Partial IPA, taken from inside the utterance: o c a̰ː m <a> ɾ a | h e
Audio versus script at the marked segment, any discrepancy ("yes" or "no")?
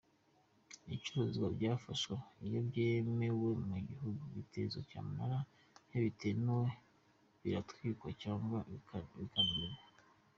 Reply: no